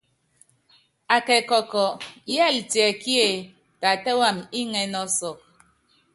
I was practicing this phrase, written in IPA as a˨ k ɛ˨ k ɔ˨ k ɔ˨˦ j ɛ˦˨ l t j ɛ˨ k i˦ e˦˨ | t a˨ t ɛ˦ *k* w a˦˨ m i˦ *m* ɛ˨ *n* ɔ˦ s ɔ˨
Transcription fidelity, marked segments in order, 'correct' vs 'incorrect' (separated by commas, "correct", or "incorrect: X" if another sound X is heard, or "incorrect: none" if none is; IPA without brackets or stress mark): incorrect: none, incorrect: ŋ, correct